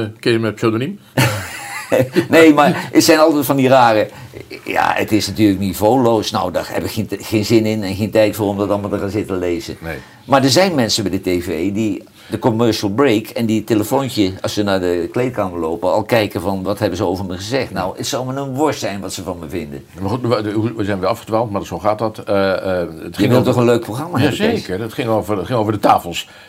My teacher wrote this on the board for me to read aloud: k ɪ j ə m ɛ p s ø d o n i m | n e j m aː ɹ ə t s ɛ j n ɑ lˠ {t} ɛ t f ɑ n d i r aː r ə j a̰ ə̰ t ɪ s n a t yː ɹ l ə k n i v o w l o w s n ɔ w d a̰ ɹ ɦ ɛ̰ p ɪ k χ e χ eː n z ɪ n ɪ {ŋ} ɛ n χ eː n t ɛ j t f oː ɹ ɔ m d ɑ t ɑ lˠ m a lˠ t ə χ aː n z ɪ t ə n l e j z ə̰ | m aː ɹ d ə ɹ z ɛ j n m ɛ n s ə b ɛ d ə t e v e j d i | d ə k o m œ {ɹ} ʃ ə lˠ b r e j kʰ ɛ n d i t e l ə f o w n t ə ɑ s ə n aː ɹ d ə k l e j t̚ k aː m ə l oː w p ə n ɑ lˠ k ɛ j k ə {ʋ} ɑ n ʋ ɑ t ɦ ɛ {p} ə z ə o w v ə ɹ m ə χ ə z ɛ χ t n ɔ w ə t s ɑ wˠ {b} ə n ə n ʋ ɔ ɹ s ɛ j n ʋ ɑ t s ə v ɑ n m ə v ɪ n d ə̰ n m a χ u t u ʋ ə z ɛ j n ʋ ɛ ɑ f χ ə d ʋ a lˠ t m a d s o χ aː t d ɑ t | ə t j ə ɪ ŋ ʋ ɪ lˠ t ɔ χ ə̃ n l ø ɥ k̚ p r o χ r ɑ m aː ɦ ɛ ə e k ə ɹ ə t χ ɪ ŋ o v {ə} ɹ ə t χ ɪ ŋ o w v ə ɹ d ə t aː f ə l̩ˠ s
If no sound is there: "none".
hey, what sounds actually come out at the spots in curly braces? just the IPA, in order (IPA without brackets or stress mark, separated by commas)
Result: t, n, ɹ, v, b, m, ə